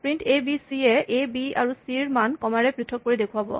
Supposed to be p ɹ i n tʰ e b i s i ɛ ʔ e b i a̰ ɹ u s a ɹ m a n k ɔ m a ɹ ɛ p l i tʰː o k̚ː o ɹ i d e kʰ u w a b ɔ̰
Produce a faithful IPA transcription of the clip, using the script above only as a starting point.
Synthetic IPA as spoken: p ɹ i n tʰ e b i s i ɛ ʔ e b i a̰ ɹ u s i ɹ m a n k ɔ m a ɹ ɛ p ɹ i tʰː ɔ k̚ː o ɹ i d e kʰ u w a b ɔ̰